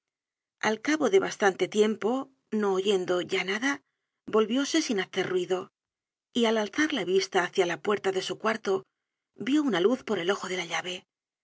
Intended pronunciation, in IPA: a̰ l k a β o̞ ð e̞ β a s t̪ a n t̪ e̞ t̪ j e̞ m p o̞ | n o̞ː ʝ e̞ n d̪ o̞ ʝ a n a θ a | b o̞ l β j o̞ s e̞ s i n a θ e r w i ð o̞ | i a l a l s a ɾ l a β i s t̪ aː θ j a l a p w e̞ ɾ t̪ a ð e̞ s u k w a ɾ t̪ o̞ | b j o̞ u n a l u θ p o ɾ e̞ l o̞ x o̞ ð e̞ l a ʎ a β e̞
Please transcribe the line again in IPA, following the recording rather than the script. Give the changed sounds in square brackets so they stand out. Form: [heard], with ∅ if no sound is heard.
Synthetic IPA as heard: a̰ l k a β o̞ ð e̞ β a s t̪ a n t̪ e̞ t̪ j e̞ m p o̞ | n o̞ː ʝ e̞ n d̪ o̞ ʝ a n a [ð] a | b o̞ l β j o̞ s e̞ s i n a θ e r w i ð o̞ | i a l a l [θ] a ɾ l a β i s t̪ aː θ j a l a p w e̞ ɾ t̪ a ð e̞ s u k w a ɾ t̪ o̞ | b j o̞ u n a l u θ p o ɾ e̞ l o̞ x o̞ ð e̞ l a ʎ a β e̞